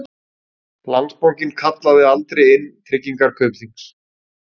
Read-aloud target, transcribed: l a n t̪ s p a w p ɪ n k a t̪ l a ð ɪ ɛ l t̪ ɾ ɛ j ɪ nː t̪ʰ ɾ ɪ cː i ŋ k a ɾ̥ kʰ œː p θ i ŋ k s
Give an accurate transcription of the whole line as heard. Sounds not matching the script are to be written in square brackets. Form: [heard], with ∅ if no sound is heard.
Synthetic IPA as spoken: l a n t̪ s p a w [c] ɪ n [kʰ] a t̪ l a ð ɪ [a] l t̪ ɾ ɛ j ɪ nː t̪ʰ ɾ ɪ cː i ŋ k a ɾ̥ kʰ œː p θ i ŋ k s